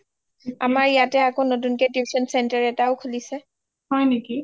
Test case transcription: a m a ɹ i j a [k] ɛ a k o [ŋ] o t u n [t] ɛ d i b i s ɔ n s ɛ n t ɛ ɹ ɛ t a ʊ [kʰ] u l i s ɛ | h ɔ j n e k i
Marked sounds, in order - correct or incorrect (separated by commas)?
incorrect, incorrect, incorrect, correct